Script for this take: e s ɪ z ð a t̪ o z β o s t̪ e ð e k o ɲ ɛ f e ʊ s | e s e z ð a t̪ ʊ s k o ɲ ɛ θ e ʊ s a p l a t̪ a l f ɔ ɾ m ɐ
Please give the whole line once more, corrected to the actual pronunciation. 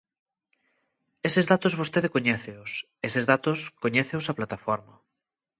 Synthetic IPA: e s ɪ z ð a t̪ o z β o s t̪ e ð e k o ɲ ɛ θ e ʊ s | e s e z ð a t̪ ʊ s k o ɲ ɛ θ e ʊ s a p l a t̪ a f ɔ ɾ m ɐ